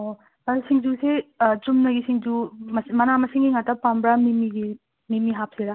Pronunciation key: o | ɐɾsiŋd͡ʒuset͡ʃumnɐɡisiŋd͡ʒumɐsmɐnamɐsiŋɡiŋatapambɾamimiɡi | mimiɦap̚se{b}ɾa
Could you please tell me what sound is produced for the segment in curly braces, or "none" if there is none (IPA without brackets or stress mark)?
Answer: none